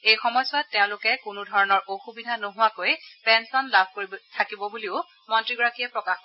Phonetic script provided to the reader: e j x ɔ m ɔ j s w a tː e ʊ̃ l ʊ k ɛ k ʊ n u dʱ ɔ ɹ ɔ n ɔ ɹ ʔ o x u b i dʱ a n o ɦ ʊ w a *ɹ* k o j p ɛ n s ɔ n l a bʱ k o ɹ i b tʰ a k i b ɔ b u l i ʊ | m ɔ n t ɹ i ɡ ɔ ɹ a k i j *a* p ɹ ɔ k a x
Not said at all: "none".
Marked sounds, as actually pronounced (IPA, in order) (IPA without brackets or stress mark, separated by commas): none, ɛ